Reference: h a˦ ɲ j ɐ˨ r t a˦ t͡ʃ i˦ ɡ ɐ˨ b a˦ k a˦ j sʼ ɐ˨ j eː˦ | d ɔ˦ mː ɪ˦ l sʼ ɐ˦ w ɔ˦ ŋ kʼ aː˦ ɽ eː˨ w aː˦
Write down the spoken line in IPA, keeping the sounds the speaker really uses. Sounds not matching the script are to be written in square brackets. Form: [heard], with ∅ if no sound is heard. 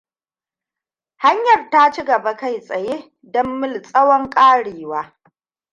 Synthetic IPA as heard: h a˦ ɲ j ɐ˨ r t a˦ t͡ʃ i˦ ɡ ɐ˨ b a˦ k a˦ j sʼ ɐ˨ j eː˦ | d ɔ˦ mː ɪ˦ l sʼ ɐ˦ w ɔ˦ ŋ kʼ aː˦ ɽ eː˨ w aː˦